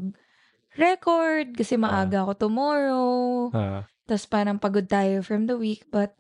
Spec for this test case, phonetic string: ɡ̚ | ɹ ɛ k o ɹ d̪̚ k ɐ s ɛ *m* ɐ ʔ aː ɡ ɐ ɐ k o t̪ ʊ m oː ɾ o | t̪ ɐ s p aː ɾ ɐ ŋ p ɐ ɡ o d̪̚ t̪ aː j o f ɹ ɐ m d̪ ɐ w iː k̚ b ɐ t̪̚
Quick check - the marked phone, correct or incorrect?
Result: correct